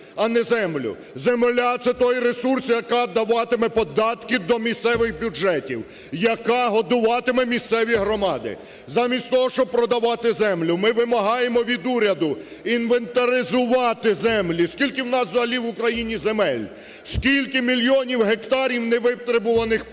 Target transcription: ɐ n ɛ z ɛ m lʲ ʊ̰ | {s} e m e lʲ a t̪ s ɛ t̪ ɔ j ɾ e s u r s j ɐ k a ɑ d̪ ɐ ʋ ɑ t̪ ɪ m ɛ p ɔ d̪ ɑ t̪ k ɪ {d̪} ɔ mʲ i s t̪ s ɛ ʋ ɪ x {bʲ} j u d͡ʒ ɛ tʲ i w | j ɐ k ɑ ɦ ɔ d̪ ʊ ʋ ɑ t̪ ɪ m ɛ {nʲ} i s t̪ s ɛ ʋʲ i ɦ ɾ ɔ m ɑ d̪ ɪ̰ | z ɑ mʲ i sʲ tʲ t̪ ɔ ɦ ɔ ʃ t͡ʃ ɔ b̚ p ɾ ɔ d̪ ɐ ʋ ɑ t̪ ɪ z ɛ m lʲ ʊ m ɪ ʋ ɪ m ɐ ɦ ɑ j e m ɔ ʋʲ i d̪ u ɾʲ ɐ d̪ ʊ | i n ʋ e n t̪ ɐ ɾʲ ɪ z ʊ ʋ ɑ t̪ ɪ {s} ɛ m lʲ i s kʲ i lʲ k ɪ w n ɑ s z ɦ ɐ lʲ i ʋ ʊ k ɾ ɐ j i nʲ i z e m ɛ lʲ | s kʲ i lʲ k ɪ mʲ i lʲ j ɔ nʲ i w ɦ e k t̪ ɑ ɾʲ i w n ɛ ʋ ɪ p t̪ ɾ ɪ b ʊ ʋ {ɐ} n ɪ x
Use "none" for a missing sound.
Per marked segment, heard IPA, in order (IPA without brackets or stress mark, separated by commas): z, d̪, bʲ, mʲ, z, ɐ